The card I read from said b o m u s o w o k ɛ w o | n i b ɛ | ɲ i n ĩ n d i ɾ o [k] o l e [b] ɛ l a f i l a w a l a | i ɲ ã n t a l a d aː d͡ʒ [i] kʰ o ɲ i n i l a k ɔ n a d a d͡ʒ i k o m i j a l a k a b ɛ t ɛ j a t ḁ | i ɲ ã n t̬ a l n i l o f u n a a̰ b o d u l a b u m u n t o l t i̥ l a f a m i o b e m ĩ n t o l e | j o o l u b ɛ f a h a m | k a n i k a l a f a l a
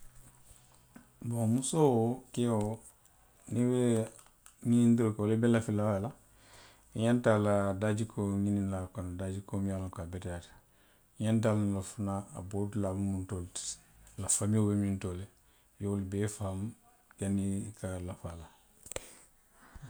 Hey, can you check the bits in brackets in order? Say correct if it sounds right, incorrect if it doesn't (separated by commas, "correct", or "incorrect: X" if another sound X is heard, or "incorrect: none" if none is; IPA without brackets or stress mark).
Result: correct, correct, correct